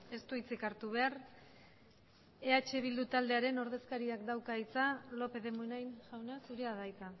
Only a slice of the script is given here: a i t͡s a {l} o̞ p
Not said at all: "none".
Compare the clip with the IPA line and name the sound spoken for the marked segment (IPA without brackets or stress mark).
l